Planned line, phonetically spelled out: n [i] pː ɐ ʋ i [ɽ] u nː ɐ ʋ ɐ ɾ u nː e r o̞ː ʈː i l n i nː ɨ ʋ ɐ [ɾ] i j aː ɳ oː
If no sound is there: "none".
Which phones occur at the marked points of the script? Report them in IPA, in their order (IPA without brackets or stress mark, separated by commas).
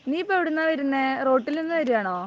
iː, ɽ, ɾ